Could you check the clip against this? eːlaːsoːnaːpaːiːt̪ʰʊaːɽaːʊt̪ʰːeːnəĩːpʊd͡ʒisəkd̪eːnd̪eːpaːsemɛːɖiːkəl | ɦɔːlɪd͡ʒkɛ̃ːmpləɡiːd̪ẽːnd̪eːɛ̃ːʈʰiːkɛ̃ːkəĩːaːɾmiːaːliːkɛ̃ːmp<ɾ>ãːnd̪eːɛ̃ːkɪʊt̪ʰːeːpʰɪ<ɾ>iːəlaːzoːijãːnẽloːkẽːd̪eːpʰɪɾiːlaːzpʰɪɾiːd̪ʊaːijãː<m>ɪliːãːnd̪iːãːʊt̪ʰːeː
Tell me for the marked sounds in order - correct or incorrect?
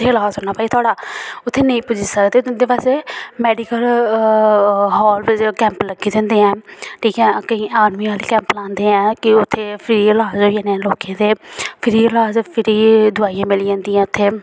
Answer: incorrect, correct, correct

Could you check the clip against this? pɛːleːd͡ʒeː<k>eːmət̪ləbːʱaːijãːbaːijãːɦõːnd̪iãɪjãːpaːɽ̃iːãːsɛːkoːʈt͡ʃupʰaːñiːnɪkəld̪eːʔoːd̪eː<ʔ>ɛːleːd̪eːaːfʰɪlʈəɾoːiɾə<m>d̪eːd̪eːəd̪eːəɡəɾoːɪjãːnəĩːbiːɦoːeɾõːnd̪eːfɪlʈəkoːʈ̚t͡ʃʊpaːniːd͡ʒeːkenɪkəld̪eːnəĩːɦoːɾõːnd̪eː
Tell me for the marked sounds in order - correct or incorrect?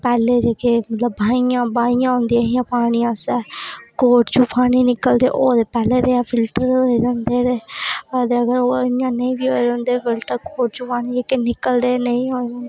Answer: correct, incorrect, incorrect

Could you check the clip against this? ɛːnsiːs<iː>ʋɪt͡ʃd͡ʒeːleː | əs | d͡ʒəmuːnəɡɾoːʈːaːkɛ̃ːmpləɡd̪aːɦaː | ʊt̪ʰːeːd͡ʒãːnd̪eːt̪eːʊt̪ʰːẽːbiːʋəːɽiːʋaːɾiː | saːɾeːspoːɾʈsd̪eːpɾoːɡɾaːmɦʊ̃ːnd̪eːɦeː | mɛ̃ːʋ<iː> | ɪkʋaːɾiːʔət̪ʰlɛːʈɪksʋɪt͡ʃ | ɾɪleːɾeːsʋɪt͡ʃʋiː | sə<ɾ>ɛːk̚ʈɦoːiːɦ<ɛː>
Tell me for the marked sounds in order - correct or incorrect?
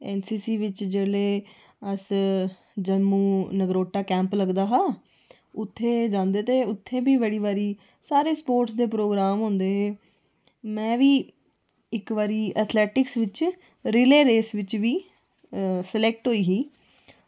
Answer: correct, correct, incorrect, incorrect

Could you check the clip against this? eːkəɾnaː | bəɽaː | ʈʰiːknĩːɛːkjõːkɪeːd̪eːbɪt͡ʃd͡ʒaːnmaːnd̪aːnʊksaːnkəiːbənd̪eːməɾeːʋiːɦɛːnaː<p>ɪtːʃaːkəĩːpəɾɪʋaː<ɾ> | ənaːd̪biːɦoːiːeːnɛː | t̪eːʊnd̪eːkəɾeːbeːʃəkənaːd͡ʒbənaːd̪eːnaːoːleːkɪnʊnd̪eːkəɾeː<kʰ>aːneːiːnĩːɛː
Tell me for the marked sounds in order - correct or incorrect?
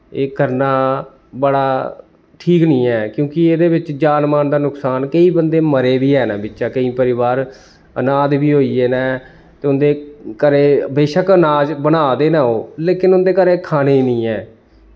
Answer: incorrect, correct, correct

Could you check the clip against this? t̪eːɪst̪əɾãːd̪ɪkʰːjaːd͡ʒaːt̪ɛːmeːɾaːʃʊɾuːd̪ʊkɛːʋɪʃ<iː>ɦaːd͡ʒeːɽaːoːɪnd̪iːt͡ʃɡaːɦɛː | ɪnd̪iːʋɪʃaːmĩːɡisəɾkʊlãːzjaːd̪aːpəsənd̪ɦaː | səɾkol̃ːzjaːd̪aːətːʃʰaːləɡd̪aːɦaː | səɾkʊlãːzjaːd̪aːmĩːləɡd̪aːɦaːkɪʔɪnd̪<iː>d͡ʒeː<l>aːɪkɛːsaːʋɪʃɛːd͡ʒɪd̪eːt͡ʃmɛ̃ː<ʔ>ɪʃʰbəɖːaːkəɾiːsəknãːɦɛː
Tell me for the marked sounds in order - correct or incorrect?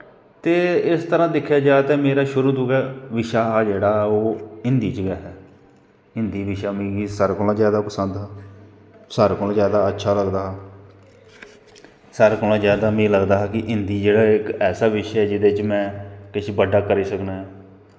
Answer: incorrect, correct, incorrect, incorrect

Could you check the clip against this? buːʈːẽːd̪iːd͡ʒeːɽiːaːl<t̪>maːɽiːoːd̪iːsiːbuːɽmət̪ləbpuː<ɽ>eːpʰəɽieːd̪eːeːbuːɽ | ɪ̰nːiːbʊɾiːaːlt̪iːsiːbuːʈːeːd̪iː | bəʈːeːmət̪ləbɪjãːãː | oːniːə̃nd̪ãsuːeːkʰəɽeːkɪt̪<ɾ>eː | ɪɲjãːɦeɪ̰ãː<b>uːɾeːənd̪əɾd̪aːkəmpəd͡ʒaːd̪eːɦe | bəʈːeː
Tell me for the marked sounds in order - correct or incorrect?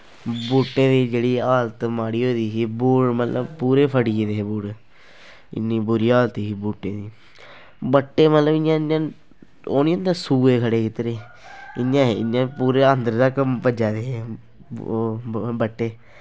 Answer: correct, incorrect, correct, incorrect

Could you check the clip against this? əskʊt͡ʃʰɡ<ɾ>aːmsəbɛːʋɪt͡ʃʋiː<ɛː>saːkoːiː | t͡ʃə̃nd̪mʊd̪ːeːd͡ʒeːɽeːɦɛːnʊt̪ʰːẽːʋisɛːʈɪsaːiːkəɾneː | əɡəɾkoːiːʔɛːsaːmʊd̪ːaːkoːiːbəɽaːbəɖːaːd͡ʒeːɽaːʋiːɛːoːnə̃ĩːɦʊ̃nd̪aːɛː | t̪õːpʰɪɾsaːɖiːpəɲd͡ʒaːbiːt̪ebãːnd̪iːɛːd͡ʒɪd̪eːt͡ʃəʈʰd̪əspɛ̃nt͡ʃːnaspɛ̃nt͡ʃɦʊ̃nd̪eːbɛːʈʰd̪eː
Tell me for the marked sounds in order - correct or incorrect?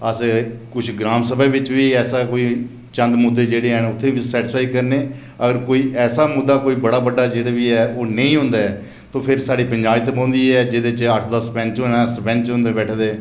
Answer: correct, correct

